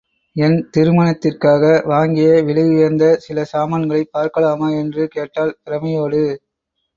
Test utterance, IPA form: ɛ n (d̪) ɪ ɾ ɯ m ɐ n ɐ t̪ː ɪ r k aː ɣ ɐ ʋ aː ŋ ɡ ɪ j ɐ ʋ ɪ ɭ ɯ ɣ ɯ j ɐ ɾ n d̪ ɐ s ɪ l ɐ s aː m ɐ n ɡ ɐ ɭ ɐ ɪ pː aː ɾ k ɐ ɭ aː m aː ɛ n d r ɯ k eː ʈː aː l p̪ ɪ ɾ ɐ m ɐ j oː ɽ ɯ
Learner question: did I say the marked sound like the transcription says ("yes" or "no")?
no